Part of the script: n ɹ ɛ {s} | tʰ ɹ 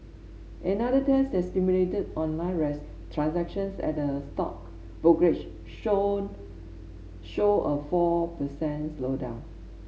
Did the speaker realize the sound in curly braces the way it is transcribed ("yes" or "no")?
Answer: yes